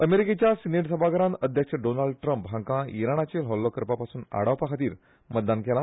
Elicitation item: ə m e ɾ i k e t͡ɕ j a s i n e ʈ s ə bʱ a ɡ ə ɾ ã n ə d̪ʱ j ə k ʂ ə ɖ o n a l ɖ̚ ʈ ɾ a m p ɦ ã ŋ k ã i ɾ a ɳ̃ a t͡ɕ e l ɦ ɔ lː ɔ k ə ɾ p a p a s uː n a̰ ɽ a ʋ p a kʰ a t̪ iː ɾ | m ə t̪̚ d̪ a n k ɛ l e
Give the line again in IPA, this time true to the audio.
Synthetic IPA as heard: ə m e ɾ i k e t͡ɕ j a s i n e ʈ s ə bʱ a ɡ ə ɾ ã n ə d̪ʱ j ə k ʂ ə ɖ o n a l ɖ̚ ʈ ɾ ə m p ɦ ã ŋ k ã i ɾ a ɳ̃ a t͡ɕ e l ɦ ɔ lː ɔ k ə ɾ p a p a s uː n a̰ ɽ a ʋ p a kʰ a t̪ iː ɾ | m ə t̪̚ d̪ a n k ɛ l a